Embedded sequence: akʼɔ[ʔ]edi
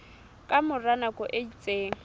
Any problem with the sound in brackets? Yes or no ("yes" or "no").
no